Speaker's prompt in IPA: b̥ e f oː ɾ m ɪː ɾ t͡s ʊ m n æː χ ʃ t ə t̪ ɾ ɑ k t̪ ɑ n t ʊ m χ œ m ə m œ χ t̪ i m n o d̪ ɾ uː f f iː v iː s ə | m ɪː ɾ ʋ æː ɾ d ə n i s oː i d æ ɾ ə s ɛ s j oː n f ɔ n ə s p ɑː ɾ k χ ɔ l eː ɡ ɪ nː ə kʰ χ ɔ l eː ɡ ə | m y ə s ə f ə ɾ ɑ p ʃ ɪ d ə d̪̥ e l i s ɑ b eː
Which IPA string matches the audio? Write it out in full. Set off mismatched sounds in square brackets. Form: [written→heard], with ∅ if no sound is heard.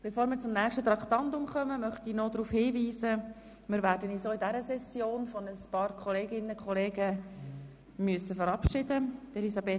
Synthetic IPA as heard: b̥ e f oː ɾ m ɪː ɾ t͡s ʊ m n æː χ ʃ t ə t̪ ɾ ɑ k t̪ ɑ n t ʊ m χ œ m ə m œ χ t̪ i [m→∅] n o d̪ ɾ uː f [f→h] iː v iː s ə | m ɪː ɾ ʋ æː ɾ d ə n i s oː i d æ ɾ ə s ɛ s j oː n f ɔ n ə s p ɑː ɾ k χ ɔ l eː ɡ ɪ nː ə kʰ χ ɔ l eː ɡ ə | m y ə s ə f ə ɾ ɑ p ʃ ɪ d ə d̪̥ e l i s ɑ b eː